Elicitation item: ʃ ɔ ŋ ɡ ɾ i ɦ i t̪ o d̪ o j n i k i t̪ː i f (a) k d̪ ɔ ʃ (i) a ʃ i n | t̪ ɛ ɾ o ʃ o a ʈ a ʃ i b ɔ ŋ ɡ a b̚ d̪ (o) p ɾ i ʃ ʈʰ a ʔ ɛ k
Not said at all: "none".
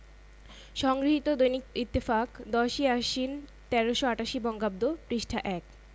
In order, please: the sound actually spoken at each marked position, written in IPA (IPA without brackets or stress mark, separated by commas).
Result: a, i, o